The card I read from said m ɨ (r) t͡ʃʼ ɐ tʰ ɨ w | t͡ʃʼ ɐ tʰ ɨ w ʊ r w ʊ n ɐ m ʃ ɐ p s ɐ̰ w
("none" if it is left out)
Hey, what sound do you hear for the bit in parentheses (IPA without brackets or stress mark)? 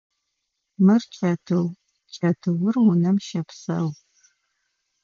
r